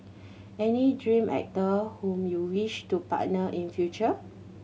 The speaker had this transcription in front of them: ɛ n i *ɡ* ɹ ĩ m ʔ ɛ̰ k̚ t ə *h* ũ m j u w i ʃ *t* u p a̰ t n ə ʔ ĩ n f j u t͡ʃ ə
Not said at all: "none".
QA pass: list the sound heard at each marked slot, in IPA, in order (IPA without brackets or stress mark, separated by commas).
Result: d, h, t